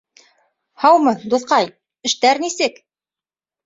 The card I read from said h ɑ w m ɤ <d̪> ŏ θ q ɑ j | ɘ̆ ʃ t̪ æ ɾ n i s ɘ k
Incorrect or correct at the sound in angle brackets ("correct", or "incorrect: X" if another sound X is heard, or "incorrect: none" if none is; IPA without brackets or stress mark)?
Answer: correct